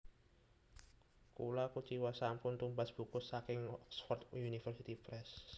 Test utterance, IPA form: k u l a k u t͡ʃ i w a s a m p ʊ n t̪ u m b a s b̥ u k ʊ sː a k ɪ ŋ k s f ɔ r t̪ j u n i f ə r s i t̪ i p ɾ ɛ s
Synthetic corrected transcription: k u l a k u t͡ʃ i w a s a m p ʊ n t̪ u m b a s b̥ u k ʊ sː a k ɪ ŋ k s f ɔ r t̪ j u n i f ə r s i t̪ i p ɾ ɛ s